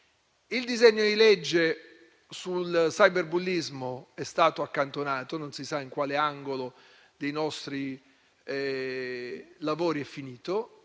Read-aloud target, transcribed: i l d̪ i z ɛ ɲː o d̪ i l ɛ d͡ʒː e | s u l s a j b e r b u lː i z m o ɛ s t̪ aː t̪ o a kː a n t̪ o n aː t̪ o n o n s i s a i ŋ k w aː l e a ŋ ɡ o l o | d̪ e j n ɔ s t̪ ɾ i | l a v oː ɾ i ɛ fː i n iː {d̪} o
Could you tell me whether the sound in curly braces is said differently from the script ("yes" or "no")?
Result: yes